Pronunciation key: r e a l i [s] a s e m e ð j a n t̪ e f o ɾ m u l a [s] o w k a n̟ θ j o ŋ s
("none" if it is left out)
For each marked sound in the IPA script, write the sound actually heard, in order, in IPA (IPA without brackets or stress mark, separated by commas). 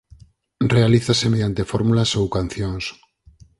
θ, s